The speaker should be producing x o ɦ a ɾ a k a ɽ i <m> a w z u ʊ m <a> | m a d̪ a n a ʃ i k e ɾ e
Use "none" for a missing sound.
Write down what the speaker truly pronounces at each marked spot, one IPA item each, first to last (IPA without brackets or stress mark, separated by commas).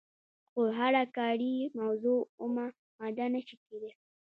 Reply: m, a